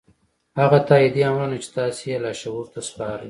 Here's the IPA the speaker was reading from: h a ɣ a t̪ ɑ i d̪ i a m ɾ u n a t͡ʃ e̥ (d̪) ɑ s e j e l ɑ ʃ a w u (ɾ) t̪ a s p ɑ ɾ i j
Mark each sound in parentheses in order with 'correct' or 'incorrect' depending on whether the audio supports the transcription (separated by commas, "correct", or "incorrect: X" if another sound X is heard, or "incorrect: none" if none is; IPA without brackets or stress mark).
incorrect: t̪, correct